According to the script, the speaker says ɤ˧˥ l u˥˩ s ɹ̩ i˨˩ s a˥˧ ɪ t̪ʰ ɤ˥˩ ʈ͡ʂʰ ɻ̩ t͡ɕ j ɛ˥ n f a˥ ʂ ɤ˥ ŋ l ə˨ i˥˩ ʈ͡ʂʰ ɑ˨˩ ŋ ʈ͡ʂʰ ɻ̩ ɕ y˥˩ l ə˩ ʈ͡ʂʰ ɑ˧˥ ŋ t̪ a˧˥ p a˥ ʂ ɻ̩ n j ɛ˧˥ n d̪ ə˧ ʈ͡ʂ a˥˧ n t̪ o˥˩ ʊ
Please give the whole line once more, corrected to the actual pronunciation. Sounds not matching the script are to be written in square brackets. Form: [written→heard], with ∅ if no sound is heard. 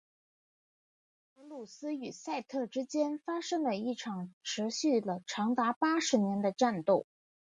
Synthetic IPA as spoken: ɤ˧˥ l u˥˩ s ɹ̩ [i˨˩→y˨˩] s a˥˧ ɪ t̪ʰ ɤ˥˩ [ʈ͡ʂʰ→ʈ͡ʂ] ɻ̩ t͡ɕ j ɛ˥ n f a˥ ʂ ɤ˥ ŋ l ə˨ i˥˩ ʈ͡ʂʰ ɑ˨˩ ŋ ʈ͡ʂʰ ɻ̩ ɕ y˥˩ l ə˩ ʈ͡ʂʰ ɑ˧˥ ŋ t̪ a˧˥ p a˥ ʂ ɻ̩ n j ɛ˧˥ n d̪ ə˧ ʈ͡ʂ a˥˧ n t̪ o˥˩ ʊ